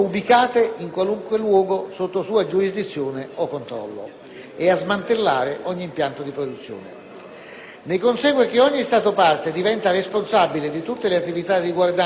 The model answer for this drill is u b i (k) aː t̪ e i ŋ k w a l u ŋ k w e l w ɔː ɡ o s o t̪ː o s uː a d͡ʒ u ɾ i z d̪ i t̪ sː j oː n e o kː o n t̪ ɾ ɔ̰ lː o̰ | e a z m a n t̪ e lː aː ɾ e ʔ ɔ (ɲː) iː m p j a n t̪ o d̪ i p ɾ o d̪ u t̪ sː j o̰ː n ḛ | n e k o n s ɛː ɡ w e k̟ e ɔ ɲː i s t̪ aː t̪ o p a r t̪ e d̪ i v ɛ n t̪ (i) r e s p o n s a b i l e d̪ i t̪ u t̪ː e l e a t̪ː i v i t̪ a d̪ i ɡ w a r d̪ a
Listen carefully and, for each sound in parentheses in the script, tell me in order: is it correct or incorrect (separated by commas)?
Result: correct, correct, incorrect